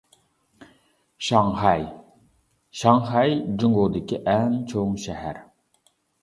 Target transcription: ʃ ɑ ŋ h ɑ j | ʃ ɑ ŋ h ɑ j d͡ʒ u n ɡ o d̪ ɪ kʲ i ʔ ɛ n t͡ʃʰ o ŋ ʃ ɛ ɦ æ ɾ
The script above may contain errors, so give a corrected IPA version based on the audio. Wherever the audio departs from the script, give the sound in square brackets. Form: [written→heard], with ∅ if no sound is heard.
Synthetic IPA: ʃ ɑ ŋ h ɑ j | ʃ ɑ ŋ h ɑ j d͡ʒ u [n→ŋ] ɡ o d̪ ɪ kʲ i ʔ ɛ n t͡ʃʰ o ŋ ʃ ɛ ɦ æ ɾ